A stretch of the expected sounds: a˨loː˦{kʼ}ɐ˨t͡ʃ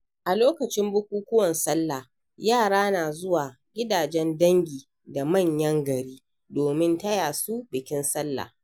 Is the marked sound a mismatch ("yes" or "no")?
yes